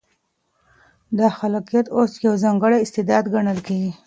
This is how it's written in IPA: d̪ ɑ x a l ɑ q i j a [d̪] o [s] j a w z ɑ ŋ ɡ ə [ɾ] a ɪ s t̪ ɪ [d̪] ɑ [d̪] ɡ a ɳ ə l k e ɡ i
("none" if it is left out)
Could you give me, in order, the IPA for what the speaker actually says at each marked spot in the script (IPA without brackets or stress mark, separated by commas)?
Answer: t̪, s, ɽ, d̪, d̪